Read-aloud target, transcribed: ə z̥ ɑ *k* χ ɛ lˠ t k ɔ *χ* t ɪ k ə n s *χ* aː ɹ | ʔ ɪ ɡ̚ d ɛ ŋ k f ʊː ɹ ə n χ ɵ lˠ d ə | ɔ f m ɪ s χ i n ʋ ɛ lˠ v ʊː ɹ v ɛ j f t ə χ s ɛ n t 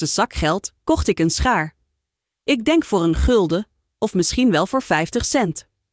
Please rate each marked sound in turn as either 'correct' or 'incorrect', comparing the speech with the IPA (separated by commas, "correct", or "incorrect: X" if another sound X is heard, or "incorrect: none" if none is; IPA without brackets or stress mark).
correct, correct, correct